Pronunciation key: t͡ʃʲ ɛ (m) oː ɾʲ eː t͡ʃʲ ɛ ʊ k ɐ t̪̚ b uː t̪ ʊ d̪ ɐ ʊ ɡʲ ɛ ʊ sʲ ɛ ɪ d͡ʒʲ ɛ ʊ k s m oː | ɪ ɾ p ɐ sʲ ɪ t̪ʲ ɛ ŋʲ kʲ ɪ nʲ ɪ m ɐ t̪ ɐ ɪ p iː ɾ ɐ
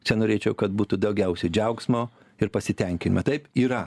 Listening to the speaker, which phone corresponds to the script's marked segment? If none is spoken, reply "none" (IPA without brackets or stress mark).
n